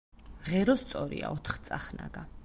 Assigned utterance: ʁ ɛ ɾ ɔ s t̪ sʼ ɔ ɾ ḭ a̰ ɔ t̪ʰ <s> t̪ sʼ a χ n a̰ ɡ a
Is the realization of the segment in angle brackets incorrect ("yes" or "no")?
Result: yes